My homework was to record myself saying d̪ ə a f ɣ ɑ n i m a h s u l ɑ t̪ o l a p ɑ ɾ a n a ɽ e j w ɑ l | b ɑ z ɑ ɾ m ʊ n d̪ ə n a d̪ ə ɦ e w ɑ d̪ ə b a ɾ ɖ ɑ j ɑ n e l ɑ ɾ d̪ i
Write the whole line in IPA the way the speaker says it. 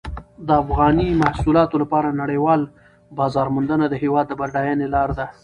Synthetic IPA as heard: d̪ ə a f ɣ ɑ n i m a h s u l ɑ t̪ o l a p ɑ ɾ a n a ɽ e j w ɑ l | b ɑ z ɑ ɾ m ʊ n d̪ ə n a d̪ ə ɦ e w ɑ d̪ː ə b a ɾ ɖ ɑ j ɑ n e l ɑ ɾ d̪ a